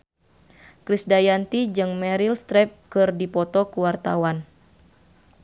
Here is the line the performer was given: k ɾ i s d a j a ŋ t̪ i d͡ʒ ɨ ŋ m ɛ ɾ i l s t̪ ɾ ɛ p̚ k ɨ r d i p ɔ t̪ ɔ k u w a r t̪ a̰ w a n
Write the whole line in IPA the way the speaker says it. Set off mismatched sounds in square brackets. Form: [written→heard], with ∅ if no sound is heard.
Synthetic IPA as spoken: k ɾ i s d a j a [ŋ→n] t̪ i d͡ʒ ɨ ŋ m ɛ ɾ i l s t̪ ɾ ɛ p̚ k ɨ r d i p ɔ t̪ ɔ k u w a r t̪ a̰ w a n